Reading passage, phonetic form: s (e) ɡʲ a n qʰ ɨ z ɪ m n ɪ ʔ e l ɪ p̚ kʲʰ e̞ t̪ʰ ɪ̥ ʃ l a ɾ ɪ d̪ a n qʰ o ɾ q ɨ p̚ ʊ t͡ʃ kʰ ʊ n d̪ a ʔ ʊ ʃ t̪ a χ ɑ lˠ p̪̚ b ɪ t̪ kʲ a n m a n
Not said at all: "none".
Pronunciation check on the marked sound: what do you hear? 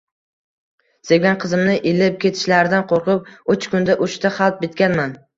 e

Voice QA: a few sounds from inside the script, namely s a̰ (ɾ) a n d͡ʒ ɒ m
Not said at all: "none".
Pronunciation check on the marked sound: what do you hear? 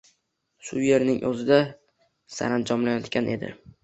ɾ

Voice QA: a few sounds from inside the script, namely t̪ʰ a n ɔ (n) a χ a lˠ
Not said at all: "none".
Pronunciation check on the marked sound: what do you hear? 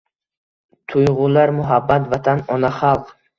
n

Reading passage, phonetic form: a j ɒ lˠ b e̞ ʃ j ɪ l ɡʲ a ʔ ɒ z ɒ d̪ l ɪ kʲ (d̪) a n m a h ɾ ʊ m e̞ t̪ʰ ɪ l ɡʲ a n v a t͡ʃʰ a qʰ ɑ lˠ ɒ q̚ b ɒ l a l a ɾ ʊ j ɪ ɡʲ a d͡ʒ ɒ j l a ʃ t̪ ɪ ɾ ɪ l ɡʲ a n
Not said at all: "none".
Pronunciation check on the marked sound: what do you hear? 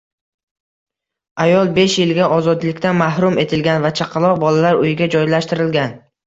t̪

